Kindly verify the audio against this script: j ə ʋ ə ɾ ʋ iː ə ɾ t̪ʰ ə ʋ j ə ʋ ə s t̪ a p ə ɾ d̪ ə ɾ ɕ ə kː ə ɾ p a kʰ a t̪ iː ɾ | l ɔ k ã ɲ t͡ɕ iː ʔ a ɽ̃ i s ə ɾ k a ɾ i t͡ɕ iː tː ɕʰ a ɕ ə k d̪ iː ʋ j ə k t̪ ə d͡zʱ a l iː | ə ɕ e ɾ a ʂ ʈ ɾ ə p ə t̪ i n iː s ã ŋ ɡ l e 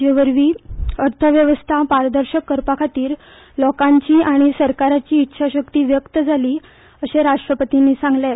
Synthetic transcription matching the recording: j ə ʋ ə ɾ ʋ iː ə ɾ t̪ʰ ə ʋ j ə ʋ ə s t̪ʰ a p a ɾ d̪ ə ɾ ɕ ə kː ə ɾ p a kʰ a t̪ iː ɾ | l ɔ k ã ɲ t͡ɕ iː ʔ a ɽ̃ i s ə ɾ k a ɾ a t͡ɕ iː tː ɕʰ a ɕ ə k t̪ iː ʋ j ə k t̪ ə d͡zʱ a l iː | ə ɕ e ɾ a ʂ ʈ ɾ ə p ə t̪ i n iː s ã ŋ ɡ l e